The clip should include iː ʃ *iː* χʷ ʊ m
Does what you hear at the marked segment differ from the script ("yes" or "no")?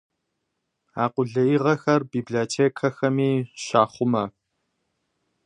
yes